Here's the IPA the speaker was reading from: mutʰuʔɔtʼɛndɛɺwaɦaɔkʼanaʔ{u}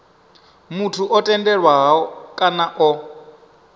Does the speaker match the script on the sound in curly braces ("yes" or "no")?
no